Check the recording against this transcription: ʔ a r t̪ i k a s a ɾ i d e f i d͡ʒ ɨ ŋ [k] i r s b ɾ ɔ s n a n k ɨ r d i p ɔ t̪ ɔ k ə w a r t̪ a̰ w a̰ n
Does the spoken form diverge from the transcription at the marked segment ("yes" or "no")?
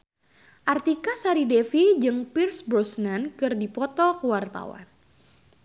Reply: yes